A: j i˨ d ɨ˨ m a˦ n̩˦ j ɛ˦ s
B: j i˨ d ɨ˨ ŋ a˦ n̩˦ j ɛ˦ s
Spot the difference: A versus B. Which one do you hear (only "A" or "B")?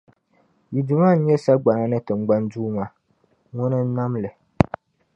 A